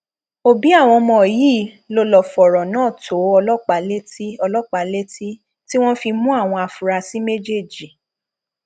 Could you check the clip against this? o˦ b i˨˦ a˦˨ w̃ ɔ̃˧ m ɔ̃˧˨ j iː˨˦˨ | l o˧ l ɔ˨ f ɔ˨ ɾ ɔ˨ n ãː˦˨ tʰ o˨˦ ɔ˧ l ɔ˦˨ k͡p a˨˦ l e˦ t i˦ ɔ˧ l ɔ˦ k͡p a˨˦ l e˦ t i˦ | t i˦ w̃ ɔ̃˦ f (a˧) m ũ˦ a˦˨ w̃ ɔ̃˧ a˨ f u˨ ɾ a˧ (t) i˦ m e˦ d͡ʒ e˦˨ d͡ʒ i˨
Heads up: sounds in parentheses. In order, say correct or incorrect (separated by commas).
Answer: incorrect, incorrect